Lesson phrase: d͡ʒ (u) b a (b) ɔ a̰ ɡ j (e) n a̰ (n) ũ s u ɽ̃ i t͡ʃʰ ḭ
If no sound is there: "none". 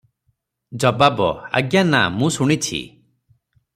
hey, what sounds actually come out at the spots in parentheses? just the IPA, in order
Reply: ɔ, b, a, m

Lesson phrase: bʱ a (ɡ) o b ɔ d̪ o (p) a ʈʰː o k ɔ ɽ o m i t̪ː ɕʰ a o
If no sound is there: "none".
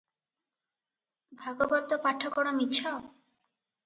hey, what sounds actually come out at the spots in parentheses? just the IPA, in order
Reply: ɡ, p

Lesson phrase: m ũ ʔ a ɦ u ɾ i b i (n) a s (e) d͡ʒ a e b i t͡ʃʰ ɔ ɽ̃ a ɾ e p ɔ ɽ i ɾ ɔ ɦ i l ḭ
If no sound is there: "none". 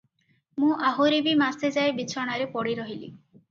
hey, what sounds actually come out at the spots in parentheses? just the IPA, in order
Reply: m, e

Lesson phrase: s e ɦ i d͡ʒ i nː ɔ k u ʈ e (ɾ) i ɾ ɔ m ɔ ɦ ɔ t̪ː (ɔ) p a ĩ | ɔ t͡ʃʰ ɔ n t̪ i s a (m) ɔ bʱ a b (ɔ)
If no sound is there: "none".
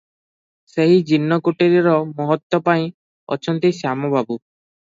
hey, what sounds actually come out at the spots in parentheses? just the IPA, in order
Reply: ɾ, ɔ, m, u

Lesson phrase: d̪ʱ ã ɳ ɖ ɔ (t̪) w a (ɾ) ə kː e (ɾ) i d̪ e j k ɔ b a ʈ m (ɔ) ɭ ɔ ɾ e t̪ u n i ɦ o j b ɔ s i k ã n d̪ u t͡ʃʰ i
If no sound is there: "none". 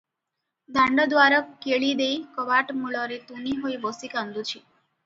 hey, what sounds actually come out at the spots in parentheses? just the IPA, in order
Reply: d̪, ɾ, ɭ, u

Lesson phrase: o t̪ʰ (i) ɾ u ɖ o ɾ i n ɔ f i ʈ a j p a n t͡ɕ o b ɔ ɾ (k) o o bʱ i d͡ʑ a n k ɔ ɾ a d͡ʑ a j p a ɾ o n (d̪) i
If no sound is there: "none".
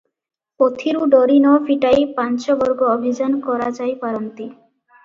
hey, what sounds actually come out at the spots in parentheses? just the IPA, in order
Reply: i, ɡ, t̪

